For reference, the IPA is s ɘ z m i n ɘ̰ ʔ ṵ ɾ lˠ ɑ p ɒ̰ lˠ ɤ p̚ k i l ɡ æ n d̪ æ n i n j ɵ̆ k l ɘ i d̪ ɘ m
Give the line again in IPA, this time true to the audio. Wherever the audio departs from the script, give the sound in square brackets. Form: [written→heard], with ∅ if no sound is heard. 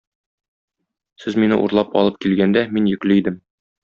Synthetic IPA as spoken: s ɘ z m i n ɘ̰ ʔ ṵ ɾ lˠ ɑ p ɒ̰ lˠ ɤ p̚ k i l ɡ æ n d̪ æ [n→m] i n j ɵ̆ k l ɘ i d̪ ɘ m